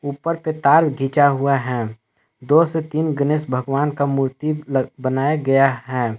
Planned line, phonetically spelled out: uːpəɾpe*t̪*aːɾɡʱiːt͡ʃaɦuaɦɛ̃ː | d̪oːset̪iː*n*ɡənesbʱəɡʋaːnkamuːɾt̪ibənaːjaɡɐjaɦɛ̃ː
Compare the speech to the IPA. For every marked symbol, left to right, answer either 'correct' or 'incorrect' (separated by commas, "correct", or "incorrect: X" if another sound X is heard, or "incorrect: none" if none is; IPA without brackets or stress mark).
correct, correct